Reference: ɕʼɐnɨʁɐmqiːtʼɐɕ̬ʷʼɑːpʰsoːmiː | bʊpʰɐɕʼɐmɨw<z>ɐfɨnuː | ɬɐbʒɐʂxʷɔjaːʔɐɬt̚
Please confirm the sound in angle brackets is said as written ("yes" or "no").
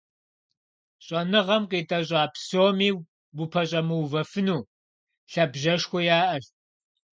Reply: no